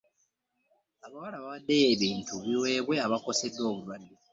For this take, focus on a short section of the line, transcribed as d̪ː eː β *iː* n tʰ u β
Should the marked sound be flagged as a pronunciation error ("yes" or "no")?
no